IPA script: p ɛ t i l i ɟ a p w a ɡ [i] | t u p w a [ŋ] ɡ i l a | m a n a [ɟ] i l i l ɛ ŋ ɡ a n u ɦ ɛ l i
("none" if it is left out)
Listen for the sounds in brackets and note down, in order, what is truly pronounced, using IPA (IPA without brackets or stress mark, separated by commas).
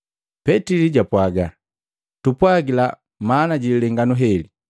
a, none, ɟ